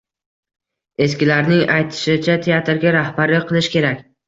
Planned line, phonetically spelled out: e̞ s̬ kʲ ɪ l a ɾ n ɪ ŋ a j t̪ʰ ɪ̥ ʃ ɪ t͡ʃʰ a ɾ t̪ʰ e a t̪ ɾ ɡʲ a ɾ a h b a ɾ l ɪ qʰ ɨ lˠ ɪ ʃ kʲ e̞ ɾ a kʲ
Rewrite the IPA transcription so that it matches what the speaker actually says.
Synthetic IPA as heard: e̞ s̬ kʲ ɪ l a ɾ n ɪ ŋ a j t̪ʰ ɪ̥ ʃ ɪ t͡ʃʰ a t̪ʰ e a t̪ ɾ ɡʲ a ɾ a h b a ɾ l ɪ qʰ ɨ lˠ ɪ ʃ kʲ e̞ ɾ a kʲ